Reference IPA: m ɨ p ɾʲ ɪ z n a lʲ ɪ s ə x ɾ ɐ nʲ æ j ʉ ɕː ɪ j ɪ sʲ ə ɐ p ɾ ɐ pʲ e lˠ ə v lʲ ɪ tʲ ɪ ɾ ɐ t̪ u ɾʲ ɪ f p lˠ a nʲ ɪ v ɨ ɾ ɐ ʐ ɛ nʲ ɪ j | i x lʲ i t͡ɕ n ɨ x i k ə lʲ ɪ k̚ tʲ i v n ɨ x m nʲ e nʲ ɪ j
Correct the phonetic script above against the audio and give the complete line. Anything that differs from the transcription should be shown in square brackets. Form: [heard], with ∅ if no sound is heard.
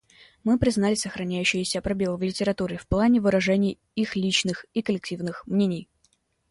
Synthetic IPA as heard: m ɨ p ɾʲ ɪ z n a lʲ ɪ s ə x ɾ ɐ nʲ æ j ʉ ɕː ɪ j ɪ sʲ ə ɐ p ɾ ɐ [bʲ] e lˠ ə v lʲ ɪ tʲ ɪ ɾ ɐ t̪ u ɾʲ ɪ f p lˠ a nʲ ɪ v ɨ ɾ ɐ ʐ ɛ nʲ ɪ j | i x lʲ i t͡ɕ n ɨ x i k ə lʲ ɪ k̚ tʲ i v n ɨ x m nʲ e nʲ ɪ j